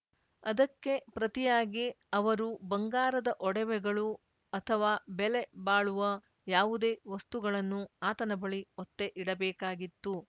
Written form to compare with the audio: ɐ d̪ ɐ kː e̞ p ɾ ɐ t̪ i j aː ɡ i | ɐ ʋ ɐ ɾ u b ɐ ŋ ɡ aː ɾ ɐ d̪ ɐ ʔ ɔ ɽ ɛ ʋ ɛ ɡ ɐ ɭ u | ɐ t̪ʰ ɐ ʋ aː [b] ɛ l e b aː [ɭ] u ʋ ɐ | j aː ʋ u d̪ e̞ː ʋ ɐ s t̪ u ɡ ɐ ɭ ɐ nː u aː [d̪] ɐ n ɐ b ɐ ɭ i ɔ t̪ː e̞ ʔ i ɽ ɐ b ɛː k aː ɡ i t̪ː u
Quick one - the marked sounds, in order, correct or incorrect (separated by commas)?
correct, correct, incorrect